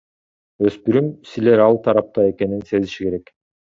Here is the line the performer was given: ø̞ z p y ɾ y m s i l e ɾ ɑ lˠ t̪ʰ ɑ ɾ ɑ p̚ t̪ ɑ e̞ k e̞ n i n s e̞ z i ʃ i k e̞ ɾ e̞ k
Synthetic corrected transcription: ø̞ s p y ɾ y m s i l e ɾ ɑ lˠ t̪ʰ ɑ ɾ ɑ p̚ t̪ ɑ e̞ k e̞ n i n s e̞ z i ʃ i k e̞ ɾ e̞ k

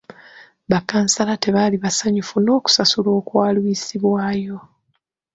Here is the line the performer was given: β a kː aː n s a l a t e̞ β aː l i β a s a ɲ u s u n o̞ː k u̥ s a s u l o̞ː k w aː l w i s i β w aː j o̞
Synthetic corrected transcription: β a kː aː n s a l a t e̞ β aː l i β a s a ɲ u f u n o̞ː k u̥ s a s u l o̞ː k w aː l w i s i β w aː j o̞

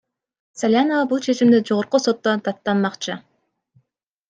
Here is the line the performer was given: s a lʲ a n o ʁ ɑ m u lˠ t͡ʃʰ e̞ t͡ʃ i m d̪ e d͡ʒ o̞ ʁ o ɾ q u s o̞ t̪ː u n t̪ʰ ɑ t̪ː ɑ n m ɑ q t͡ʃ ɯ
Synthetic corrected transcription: s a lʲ a n o v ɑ b u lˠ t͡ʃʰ e̞ t͡ʃ i m d̪ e d͡ʒ o̞ ʁ o ɾ q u s o̞ t̪ː o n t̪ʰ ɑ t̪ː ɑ n m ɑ q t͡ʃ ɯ

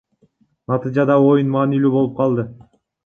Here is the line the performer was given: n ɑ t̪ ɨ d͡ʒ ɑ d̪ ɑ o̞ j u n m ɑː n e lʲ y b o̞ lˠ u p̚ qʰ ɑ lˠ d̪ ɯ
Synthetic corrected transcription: n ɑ t̪ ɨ d͡ʒ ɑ d̪ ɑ o̞ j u n m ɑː n i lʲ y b o̞ lˠ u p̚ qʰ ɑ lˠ d̪ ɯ

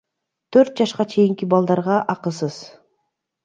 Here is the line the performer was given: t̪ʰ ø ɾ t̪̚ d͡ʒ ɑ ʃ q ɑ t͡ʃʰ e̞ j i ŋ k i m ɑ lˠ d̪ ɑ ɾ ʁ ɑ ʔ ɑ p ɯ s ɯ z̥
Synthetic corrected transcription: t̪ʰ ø ɾ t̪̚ d͡ʒ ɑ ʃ q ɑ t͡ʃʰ e̞ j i ŋ k i b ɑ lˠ d̪ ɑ ɾ ʁ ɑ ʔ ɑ q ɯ s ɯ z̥

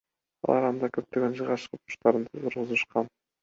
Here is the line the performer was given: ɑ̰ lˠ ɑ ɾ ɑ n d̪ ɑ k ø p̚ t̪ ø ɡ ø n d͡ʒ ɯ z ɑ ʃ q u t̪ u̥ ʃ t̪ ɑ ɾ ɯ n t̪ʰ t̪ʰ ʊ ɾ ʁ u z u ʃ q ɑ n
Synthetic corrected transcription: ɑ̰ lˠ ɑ ɾ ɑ n d̪ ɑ k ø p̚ t̪ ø ɡ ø n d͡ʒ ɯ ʁ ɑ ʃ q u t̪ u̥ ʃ t̪ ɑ ɾ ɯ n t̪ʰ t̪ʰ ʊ ɾ ʁ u z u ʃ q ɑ n

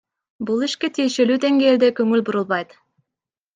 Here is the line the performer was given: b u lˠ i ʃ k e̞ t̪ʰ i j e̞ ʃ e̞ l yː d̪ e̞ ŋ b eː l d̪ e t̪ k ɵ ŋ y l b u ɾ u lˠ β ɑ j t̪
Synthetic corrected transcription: b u lˠ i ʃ k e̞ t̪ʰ i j e̞ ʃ e̞ l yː d̪ e̞ ŋ ɡ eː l d̪ e k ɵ ŋ y l b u ɾ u lˠ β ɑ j t̪

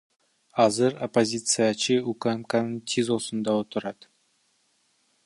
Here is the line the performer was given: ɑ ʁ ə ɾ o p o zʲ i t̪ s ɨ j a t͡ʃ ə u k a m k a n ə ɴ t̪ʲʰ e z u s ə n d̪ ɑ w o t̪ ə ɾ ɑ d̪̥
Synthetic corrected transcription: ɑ z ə ɾ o p o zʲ i t̪ s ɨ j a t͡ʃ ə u k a m k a n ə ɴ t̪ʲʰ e z o s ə n d̪ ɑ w o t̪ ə ɾ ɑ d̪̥

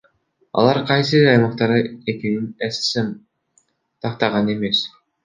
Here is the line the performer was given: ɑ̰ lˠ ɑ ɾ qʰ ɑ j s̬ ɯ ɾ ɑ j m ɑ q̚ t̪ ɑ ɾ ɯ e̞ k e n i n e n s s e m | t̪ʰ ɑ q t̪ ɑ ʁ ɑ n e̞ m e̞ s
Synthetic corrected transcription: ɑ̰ lˠ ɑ ɾ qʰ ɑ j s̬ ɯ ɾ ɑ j m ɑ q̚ t̪ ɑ ɾ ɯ e̞ k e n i n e s s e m | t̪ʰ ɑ q t̪ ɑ ʁ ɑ n e̞ m e̞ s

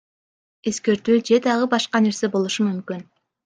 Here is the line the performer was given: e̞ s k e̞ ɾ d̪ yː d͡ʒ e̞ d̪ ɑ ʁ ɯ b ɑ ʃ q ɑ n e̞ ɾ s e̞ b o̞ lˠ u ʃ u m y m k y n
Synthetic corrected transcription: e̞ s k e̞ ɾ t̪ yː d͡ʒ e̞ d̪ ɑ ʁ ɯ b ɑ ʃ q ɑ n e̞ ɾ s e̞ b o̞ lˠ u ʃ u m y m k y n

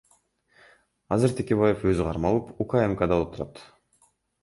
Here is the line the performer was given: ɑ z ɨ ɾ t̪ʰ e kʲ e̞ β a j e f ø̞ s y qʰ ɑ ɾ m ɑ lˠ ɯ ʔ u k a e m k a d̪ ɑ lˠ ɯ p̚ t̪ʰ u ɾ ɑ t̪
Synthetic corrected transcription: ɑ z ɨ ɾ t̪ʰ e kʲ e̞ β a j e f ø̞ z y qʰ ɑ ɾ m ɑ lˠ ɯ p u k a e m k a d̪ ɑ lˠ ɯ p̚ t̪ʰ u ɾ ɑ t̪

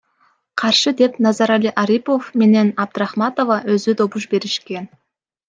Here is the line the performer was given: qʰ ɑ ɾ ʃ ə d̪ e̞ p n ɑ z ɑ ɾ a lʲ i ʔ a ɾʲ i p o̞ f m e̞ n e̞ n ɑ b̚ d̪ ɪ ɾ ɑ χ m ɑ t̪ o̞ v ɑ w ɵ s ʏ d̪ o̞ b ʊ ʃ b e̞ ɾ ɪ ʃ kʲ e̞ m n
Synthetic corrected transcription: qʰ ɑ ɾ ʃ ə d̪ e̞ p n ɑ z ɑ ɾ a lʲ i ʔ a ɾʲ i p o̞ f m e̞ n e̞ n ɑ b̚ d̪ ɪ ɾ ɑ χ m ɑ t̪ o̞ v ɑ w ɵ z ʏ d̪ o̞ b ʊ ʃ b e̞ ɾ ɪ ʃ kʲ e̞ n

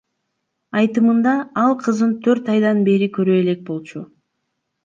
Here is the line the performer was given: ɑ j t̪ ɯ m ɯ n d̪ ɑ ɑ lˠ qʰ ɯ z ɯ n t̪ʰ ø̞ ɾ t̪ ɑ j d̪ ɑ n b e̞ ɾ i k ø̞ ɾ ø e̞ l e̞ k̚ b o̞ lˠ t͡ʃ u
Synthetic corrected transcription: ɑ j t̪ ɯ m ɯ n d̪ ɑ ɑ lˠ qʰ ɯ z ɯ n t̪ʰ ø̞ ɾ t̪ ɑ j d̪ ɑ n b e̞ ɾ i k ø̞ ɾ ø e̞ l e̞ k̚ b o̞ lˠ t͡ʃ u

